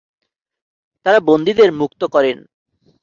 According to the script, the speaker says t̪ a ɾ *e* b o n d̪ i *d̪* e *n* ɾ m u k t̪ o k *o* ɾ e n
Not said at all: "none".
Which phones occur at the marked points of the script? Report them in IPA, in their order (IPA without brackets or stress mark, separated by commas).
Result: a, d̪, none, ɔ